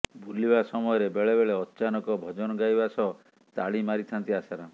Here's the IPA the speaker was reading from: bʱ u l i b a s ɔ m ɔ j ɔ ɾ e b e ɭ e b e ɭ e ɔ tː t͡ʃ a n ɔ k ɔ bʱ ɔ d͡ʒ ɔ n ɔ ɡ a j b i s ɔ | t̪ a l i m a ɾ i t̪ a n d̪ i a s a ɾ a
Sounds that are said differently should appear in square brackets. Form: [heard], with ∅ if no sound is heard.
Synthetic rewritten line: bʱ u l i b a s ɔ m ɔ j ɔ ɾ e b e ɭ e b e ɭ e ɔ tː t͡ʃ a n ɔ k ɔ bʱ ɔ d͡ʒ ɔ n ɔ ɡ a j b [a] s ɔ | t̪ a [ɭ] i m a ɾ i [t̪ʰ] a n [t̪] i a s a ɾ a